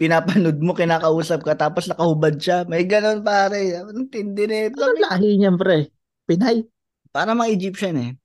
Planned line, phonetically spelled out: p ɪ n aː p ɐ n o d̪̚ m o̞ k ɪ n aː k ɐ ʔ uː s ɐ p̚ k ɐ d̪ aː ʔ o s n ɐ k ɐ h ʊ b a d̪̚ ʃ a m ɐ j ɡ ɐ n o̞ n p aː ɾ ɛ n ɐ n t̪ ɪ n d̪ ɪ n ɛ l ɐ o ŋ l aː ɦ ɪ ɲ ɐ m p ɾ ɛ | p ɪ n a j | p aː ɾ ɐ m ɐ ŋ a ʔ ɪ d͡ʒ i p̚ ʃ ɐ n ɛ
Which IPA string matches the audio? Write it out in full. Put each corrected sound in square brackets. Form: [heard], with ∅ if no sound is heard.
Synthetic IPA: p ɪ n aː p ɐ n o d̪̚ m o̞ k ɪ n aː k ɐ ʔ uː s ɐ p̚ k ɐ [t̪] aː [p] o s n ɐ k ɐ h ʊ b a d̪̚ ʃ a m ɐ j ɡ ɐ n o̞ n p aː ɾ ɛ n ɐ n t̪ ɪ n d̪ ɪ n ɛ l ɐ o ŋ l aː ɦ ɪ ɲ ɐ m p ɾ ɛ | p ɪ n a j | p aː ɾ ɐ m ɐ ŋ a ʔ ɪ d͡ʒ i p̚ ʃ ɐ n ɛ